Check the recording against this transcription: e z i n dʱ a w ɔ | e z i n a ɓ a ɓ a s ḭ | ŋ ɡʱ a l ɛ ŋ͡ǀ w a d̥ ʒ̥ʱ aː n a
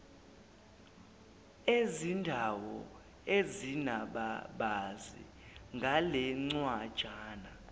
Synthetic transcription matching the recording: e z i n dʱ a w ɔ | e z i n a ɓ a ɓ a z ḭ | ŋ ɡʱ a l ɛ ŋ͡ǀ w a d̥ ʒ̥ʱ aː n a